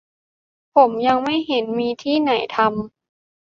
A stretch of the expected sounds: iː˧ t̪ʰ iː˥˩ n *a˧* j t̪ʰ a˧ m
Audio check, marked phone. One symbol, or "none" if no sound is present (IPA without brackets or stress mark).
a˩˦